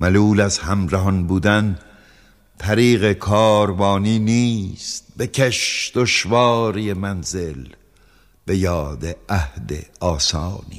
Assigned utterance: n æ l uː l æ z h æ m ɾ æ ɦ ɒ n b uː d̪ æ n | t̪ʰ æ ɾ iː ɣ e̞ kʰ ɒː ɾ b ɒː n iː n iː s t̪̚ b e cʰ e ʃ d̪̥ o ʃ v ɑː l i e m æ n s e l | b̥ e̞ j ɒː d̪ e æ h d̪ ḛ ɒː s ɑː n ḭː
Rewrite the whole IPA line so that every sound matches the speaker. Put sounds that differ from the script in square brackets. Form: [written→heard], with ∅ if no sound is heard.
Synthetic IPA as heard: [n→m] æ l uː l æ z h æ m ɾ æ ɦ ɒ n b uː d̪ æ n | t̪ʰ æ ɾ iː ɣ e̞ kʰ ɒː ɾ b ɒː n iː n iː s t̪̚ b e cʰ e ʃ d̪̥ o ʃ v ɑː [l→ɾ] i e m æ n [s→z] e l | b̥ e̞ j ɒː d̪ e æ h d̪ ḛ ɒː s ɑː n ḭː